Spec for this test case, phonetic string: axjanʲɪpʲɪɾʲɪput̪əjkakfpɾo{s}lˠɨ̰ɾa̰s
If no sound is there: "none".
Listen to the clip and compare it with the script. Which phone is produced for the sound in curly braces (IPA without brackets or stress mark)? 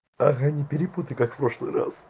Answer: ʂ